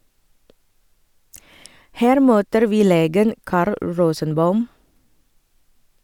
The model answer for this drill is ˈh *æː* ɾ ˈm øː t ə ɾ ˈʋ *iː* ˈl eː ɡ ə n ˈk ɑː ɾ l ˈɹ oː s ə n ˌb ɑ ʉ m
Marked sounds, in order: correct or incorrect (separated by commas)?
correct, correct